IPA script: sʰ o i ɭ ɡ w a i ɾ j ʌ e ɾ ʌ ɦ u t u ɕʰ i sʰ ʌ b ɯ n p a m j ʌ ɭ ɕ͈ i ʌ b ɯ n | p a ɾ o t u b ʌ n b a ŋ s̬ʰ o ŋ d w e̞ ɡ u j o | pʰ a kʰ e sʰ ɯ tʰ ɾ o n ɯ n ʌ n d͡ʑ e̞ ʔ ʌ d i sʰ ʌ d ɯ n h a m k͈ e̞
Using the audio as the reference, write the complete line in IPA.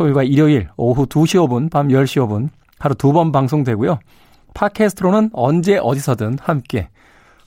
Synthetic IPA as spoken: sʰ o i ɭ ɡ w a i ɾ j ʌ i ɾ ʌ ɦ u t u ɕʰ i ʌ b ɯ n p a m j ʌ ɭ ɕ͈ i ʌ b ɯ n | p a ɾ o t u b ʌ n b a ŋ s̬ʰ o ŋ d w e̞ ɡ u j o | pʰ a kʰ e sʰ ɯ tʰ ɾ o n ɯ n ʌ n d͡ʑ e̞ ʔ ʌ d i sʰ ʌ d ɯ n h a m k͈ e̞